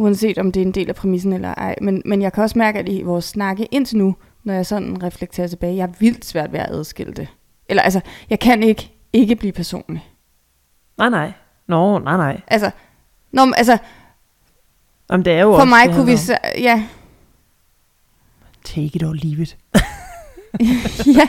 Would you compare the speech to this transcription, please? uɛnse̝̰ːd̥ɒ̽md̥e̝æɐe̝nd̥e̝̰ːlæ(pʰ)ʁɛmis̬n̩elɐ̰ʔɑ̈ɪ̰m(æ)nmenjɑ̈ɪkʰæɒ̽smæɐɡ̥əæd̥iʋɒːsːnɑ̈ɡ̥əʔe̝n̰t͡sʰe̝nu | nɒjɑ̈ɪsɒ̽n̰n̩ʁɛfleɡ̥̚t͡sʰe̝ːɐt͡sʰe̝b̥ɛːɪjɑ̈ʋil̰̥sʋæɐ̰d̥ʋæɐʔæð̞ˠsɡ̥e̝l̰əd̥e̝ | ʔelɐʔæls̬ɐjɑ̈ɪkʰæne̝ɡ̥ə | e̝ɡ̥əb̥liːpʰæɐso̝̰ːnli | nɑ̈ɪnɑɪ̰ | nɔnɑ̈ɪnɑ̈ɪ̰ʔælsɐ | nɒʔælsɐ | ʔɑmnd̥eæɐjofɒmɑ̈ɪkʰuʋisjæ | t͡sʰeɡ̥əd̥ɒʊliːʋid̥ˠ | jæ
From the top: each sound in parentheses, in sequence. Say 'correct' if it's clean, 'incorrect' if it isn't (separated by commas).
correct, incorrect